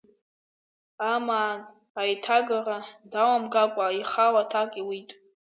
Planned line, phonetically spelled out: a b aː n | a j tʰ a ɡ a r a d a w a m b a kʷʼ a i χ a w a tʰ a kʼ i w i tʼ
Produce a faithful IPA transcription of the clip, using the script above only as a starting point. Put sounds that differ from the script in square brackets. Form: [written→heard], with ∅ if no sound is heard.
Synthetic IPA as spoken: a [b→m] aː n | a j tʰ a ɡ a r a d a w a m [b→ɡ] a kʷʼ a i χ a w a tʰ a kʼ i w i tʼ